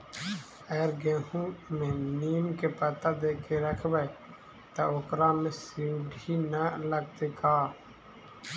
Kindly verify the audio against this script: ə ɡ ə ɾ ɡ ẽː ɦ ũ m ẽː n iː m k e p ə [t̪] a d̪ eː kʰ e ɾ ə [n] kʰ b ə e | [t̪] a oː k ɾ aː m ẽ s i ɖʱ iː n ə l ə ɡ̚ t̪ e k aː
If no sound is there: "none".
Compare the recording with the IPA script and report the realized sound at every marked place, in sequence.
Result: t̪, none, t̪

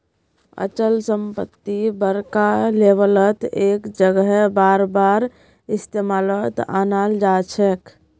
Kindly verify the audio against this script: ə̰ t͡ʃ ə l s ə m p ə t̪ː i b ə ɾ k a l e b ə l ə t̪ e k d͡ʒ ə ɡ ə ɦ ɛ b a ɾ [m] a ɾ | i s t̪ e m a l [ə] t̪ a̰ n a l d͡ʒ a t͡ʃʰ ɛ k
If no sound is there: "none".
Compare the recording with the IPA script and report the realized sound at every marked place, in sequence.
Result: b, ə

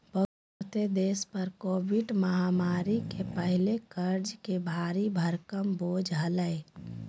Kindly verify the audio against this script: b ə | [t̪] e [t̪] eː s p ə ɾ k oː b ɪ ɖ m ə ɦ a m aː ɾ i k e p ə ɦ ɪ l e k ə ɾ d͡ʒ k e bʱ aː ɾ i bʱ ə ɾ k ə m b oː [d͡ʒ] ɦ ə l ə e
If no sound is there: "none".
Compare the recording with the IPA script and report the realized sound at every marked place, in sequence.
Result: t̪, d̪, d͡ʒ

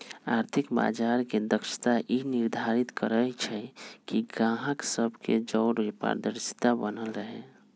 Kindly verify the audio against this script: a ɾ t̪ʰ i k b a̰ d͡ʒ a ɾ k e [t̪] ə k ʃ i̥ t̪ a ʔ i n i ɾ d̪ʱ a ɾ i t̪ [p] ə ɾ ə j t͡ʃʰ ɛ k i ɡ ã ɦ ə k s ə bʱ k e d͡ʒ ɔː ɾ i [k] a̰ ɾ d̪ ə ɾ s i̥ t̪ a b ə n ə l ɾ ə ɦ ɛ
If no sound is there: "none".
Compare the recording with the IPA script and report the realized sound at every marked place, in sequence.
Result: d̪, k, p

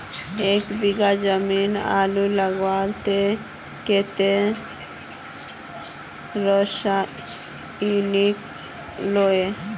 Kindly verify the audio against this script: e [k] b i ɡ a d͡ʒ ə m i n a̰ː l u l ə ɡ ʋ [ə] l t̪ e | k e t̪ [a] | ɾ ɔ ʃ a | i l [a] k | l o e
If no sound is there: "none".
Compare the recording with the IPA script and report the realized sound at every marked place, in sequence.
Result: k, a, e, i

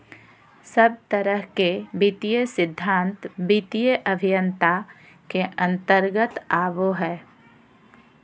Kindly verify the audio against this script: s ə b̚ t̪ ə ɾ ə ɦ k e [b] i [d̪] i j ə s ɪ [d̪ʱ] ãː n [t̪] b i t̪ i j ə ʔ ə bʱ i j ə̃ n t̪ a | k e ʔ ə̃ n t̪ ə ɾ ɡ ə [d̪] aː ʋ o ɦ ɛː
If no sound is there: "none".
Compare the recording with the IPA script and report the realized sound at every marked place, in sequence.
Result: b, t̪, d̪ʱː, t̪, t̪

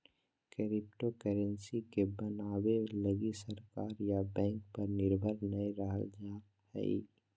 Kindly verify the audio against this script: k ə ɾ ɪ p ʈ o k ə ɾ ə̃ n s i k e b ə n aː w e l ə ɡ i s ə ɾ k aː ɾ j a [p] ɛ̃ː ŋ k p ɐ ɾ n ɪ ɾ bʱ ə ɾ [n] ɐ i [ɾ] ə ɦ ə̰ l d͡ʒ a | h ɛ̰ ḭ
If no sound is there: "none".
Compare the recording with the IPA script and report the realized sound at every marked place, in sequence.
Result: b, n, ɾ

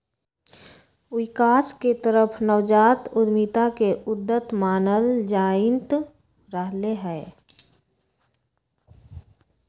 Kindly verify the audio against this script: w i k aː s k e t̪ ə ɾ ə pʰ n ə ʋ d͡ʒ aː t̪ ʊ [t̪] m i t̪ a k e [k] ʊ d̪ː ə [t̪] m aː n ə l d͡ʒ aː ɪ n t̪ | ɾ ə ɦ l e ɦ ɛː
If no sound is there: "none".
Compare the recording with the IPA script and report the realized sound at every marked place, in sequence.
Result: d̪, none, t̪

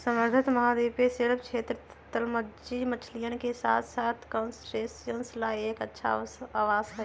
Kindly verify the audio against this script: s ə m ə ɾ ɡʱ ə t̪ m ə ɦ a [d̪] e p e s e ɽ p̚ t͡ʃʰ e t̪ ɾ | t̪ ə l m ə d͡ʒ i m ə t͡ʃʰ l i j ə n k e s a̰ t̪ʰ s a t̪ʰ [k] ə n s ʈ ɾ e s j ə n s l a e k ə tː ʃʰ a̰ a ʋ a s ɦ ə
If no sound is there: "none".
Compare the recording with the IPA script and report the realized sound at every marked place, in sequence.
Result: d̪, k

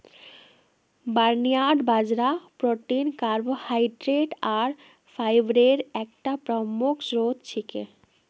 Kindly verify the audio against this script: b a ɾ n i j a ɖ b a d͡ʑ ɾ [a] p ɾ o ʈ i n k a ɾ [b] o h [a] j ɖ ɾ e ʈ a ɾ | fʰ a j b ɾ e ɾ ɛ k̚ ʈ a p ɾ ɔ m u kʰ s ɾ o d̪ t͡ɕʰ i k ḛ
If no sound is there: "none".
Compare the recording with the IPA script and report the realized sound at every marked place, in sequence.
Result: a, b, a

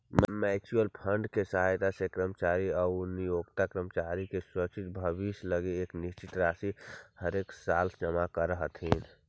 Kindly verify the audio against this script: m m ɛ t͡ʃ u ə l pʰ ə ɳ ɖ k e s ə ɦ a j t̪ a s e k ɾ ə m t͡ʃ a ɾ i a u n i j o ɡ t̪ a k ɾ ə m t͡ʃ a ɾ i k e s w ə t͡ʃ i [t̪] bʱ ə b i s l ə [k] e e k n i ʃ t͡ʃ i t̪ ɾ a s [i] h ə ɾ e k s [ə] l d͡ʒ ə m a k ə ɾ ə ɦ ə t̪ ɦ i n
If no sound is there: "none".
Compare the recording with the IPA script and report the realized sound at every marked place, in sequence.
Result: t̪, ɡ, i, a

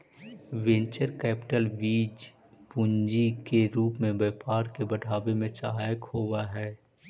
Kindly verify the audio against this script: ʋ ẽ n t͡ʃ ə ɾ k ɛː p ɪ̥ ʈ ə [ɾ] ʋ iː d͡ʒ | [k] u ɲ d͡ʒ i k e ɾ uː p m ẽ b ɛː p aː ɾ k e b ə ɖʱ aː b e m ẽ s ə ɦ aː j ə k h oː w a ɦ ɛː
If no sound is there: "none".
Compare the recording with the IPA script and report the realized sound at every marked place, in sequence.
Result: l, p

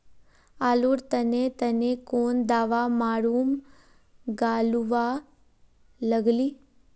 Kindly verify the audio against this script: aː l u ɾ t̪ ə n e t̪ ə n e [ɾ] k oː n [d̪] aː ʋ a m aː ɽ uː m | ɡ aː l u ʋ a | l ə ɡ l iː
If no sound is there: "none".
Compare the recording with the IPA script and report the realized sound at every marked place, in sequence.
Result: none, d̪

